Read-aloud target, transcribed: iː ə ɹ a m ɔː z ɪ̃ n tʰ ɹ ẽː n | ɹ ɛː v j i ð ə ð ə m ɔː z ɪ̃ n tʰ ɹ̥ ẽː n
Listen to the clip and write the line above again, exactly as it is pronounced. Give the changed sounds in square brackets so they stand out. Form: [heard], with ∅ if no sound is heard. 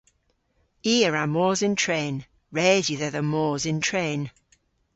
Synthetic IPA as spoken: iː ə ɹ a m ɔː z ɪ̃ n tʰ ɹ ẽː n | ɹ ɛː [z] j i ð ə ð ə m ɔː z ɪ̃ n tʰ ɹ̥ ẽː n